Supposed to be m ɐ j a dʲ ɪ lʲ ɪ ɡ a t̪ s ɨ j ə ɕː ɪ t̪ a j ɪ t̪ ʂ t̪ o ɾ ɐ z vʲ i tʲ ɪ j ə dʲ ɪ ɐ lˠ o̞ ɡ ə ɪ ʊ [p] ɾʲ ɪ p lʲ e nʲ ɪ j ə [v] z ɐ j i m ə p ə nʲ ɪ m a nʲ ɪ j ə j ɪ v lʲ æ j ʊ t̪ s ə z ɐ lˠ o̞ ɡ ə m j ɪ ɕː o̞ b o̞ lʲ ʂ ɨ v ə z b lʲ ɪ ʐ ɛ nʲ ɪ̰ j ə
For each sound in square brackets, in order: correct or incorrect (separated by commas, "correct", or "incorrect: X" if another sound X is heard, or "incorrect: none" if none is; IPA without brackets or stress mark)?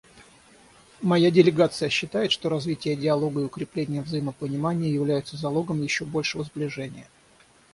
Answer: incorrect: k, correct